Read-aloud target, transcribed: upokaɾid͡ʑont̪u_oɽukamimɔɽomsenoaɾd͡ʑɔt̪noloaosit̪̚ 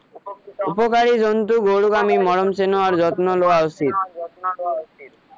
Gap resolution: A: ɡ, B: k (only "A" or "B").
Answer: A